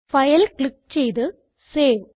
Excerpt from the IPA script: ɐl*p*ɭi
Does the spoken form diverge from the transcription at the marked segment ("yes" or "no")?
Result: yes